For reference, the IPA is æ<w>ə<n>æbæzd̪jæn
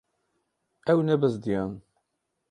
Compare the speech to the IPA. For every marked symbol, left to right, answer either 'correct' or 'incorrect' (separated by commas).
correct, correct